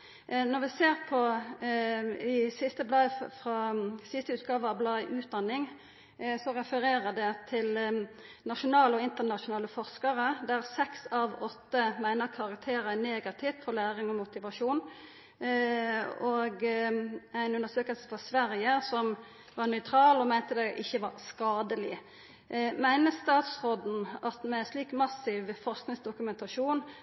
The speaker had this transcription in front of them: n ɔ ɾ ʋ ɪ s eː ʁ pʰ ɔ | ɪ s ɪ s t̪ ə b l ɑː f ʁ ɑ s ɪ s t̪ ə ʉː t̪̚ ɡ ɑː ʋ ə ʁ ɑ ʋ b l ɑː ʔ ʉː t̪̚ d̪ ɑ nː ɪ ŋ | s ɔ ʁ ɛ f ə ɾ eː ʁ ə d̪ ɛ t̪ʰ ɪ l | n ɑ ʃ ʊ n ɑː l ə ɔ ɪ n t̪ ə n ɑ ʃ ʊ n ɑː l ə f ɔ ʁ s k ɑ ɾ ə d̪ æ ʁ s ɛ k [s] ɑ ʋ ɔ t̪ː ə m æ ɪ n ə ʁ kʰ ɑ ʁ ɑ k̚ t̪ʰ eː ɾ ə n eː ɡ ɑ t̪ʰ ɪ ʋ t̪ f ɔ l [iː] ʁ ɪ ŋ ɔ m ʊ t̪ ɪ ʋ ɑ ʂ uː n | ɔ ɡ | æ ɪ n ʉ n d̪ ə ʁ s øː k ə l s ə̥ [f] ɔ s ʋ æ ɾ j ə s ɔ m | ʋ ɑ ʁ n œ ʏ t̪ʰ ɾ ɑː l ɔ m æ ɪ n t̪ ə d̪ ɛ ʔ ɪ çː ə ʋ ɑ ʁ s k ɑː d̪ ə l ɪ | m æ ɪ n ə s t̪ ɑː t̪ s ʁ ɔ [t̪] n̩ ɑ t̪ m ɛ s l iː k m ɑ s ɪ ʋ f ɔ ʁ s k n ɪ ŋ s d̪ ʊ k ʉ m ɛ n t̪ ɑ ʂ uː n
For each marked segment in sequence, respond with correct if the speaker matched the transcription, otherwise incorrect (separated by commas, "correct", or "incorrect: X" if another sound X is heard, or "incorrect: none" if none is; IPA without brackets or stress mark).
correct, incorrect: æː, correct, incorrect: d̪